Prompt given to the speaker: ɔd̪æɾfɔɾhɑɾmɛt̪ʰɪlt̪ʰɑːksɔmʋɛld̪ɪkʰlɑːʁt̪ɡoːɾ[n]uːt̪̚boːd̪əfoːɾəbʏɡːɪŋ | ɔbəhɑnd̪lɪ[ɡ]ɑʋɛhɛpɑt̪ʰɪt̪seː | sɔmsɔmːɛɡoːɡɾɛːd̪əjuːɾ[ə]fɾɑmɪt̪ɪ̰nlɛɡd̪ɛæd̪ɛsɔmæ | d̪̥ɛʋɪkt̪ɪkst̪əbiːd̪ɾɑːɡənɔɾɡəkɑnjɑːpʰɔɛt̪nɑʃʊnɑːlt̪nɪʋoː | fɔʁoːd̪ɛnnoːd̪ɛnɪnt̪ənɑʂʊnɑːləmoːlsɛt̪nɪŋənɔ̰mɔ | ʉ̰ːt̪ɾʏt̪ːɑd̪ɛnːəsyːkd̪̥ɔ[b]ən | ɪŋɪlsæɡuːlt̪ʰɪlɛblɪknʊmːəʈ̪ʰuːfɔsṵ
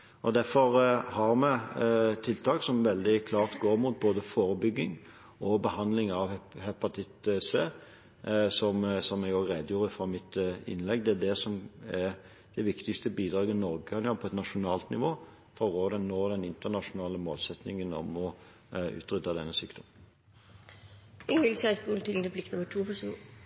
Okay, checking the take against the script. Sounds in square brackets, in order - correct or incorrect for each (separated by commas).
incorrect, incorrect, correct, incorrect